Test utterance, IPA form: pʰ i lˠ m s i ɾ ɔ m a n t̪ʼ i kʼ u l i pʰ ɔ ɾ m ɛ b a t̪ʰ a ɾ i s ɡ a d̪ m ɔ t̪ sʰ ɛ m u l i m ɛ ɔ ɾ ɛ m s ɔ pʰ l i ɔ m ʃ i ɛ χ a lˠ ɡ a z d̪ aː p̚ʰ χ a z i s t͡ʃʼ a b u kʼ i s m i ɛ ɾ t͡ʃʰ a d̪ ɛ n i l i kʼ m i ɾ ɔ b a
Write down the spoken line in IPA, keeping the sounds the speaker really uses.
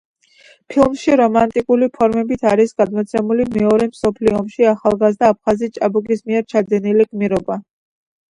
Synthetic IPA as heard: pʰ i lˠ m ʃ i ɾ ɔ m a n t̪ʼ i kʼ u l i pʰ ɔ ɾ m ɛ b i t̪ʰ a ɾ i s ɡ a d̪ m ɔ t̪ sʰ ɛ m u l i m ɛ ɔ ɾ ɛ m s ɔ pʰ l i ɔ m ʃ i a χ a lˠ ɡ a z d̪ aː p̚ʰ χ a z i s t͡ʃʼ a b u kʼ i s m i ɛ ɾ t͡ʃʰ a d̪ ɛ n i l i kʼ m i ɾ ɔ b a